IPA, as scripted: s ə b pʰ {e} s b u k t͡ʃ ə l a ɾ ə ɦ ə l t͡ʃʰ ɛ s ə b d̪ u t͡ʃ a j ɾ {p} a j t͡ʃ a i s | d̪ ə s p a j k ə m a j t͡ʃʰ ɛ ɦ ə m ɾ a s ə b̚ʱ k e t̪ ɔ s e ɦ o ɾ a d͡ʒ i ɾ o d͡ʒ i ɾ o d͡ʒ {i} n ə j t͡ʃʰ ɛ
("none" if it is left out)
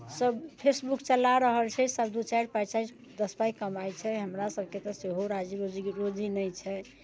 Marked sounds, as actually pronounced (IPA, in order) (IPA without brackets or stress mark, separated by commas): e, p, i